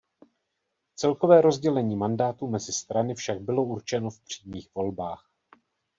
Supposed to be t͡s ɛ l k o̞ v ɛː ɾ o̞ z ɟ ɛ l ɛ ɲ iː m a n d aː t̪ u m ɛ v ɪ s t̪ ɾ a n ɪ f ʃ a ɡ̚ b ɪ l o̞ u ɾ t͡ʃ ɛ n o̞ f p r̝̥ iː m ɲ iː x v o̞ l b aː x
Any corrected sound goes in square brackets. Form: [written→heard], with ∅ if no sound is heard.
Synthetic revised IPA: t͡s ɛ l k o̞ v ɛː ɾ o̞ z ɟ ɛ l ɛ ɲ iː m a n d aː t̪ u m ɛ [v→z] ɪ s t̪ ɾ a n ɪ f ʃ a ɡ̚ b ɪ l o̞ u ɾ t͡ʃ ɛ n o̞ f p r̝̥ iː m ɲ iː x v o̞ l b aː x